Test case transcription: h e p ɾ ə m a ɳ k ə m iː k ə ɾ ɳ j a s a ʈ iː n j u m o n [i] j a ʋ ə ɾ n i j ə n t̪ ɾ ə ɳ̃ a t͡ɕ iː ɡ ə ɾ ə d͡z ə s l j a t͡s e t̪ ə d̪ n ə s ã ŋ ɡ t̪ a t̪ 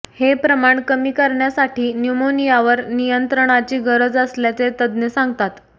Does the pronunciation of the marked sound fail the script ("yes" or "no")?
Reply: no